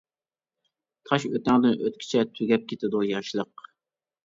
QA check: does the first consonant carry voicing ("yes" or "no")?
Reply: no